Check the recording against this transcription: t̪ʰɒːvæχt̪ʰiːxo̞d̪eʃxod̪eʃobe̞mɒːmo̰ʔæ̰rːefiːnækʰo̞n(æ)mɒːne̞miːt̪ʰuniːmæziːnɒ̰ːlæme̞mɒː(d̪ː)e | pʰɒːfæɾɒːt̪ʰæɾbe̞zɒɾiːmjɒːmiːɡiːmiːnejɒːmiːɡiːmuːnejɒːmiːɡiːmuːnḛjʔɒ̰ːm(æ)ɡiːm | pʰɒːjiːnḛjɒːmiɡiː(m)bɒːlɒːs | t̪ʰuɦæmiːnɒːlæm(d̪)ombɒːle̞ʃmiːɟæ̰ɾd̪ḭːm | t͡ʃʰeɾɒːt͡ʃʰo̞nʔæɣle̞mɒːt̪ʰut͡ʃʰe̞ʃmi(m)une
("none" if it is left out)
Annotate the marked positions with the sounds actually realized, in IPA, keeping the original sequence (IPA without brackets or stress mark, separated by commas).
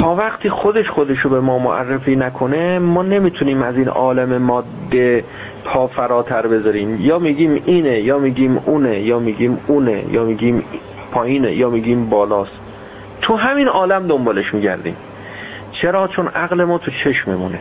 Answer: e, d̪ː, i, m, d̪, m